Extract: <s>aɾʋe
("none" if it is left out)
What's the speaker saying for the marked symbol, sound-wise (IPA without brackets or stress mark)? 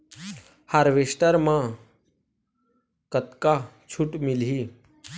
h